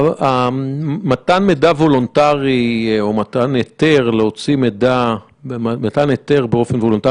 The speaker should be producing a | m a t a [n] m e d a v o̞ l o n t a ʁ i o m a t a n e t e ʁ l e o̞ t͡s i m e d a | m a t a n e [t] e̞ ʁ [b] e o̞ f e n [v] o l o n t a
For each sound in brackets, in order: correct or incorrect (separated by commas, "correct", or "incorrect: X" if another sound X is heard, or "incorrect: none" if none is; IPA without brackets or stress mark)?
correct, correct, correct, correct